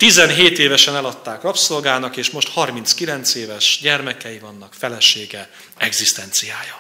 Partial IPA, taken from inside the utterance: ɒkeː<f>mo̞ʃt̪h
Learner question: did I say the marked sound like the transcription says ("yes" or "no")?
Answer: no